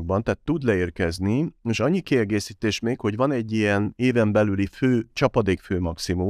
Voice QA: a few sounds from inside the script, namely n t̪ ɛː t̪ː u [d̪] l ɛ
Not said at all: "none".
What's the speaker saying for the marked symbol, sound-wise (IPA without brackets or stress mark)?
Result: d̪